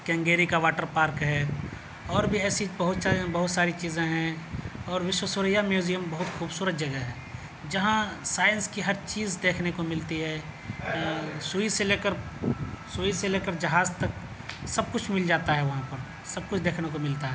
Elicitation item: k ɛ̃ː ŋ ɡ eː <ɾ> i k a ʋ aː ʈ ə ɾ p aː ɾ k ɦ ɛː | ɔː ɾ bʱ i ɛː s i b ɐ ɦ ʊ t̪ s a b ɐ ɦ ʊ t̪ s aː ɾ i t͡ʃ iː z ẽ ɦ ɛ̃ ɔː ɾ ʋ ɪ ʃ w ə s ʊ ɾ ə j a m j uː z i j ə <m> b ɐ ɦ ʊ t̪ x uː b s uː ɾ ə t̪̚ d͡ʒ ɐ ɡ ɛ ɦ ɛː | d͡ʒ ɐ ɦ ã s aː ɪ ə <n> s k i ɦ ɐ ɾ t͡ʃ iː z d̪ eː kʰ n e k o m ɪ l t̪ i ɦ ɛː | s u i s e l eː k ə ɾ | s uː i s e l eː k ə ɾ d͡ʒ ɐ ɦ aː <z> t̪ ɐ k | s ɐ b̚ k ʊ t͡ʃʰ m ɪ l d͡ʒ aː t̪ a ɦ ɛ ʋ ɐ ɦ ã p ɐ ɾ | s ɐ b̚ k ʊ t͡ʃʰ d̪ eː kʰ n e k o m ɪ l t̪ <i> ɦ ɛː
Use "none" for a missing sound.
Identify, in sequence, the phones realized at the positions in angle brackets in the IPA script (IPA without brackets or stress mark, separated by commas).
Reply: ɾ, m, n, z, a